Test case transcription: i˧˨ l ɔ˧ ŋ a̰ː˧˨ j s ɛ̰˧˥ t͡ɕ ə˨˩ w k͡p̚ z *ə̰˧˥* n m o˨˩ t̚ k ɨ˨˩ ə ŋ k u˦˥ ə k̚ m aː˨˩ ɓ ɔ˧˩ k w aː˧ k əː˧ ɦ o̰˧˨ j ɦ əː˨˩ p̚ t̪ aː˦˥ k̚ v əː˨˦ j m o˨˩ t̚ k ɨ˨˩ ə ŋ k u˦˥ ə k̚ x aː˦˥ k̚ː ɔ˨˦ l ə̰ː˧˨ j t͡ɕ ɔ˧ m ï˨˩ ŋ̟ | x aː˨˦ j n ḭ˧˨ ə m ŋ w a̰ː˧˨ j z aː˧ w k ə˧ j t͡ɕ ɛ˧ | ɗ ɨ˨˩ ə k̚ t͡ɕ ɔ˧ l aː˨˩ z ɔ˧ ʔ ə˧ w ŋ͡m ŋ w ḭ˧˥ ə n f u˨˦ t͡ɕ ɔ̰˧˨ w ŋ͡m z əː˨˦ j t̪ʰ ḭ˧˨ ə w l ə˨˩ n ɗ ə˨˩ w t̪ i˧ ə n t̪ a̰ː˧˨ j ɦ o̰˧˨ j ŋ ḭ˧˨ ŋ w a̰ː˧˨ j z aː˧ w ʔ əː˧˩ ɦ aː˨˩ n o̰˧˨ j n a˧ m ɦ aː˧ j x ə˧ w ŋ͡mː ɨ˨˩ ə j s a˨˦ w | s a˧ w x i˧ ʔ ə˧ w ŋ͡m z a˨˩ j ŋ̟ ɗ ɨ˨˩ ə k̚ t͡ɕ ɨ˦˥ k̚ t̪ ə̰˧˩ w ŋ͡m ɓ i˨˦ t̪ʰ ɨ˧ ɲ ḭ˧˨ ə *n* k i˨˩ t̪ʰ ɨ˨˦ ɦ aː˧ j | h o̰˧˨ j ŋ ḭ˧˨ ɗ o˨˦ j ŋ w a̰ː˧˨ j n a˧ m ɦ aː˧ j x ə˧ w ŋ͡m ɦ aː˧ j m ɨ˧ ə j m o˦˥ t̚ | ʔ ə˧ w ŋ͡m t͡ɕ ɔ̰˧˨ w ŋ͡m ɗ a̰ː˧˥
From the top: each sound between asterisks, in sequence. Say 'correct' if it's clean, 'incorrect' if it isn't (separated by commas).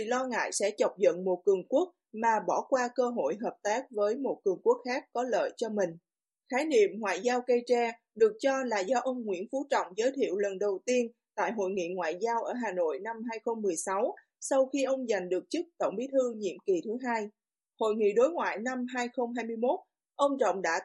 incorrect, incorrect